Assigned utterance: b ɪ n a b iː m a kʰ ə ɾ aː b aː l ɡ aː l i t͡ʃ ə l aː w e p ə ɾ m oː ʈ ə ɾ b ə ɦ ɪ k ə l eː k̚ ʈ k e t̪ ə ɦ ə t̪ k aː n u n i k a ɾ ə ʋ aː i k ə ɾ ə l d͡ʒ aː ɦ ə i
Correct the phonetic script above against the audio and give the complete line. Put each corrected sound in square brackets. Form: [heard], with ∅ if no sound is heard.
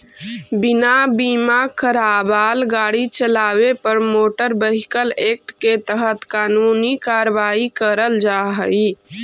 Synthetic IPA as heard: b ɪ n a b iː m a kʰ ə ɾ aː b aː l ɡ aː [ɽ] i t͡ʃ ə l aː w e p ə ɾ m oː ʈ ə ɾ b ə ɦ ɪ k ə l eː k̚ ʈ k e t̪ ə ɦ ə t̪ k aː n u n i k a ɾ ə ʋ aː i k ə ɾ ə l d͡ʒ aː ɦ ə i